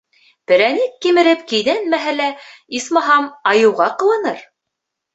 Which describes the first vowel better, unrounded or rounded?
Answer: unrounded